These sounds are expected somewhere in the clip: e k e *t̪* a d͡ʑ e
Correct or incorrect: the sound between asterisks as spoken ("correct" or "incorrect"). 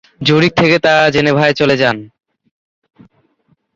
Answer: correct